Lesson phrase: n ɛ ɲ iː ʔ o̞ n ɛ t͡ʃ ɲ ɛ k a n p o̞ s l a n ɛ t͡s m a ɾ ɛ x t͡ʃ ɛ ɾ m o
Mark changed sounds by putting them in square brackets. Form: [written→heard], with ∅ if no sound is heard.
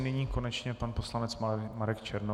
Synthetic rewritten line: n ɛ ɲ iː [ʔ→k] o̞ n ɛ t͡ʃ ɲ ɛ [k→p] a n p o̞ s l a n ɛ t͡s m a ɾ ɛ [x→k] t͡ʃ ɛ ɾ [m→n] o